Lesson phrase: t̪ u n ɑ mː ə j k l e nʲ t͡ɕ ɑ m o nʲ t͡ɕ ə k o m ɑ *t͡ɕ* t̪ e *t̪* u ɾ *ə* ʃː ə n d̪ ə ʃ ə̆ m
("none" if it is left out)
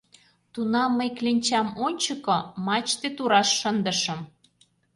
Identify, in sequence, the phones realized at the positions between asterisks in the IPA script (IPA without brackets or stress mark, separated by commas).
t͡ɕ, t̪, ɑ